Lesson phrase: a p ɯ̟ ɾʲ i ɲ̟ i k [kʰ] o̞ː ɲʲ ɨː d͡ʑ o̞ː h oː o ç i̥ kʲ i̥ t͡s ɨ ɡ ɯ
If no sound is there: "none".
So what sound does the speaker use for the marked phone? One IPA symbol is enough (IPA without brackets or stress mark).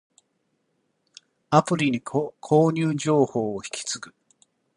kʰ